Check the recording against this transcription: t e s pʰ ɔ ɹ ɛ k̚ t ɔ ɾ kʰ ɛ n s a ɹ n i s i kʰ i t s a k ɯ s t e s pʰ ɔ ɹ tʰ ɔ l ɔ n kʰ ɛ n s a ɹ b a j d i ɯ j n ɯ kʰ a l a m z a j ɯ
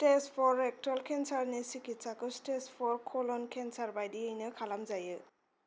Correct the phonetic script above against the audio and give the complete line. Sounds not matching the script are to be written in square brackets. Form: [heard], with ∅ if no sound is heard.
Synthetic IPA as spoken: t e s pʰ ɔ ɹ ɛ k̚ t ɔ [l] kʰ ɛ n s a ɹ n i s i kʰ i t s a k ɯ s t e s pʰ ɔ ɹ [kʰ] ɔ l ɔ n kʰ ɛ n s a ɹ b a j d i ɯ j n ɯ kʰ a l a m z a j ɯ